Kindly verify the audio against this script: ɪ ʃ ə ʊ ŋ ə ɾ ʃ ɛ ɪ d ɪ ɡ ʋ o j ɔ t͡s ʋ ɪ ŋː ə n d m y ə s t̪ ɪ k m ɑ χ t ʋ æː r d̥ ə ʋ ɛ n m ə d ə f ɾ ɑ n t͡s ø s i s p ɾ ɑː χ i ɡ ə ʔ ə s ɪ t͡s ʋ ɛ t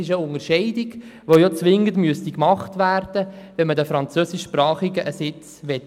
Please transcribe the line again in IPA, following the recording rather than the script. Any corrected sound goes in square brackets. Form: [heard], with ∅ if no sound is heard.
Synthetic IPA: ɪ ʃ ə ʊ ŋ ə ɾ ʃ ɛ ɪ d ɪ ɡ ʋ o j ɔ t͡s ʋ ɪ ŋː ə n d m y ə s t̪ [i] k m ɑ χ t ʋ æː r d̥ ə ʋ ɛ n m ə d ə f ɾ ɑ n t͡s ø s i [ʃ] p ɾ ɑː χ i ɡ ə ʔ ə s ɪ t͡s ʋ ɛ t